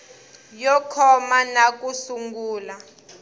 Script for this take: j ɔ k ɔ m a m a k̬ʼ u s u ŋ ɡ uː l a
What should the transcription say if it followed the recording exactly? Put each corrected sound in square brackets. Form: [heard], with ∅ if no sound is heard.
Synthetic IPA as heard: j ɔ [kʰ] ɔ m a [n] a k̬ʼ u s u ŋ ɡ uː l a

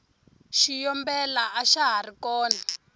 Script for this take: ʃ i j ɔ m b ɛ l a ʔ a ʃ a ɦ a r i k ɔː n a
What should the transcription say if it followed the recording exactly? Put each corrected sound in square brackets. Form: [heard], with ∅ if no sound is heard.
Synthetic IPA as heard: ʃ i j ɔ m b ɛ l a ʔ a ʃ a ɦ a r i k ɔː n a

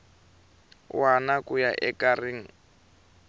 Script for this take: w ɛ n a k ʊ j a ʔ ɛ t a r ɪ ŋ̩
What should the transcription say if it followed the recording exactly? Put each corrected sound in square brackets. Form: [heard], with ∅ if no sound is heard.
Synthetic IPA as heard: w [a] n a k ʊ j a ʔ ɛ [k] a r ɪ ŋ̩

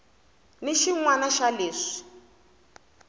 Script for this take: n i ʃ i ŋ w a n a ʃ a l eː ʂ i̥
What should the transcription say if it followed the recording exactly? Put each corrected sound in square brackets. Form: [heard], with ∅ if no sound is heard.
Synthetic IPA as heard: n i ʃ i ŋ w a n a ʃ a l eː ʂ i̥

